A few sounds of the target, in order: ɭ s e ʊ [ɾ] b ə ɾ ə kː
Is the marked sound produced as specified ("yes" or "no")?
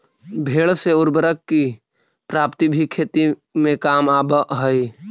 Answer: yes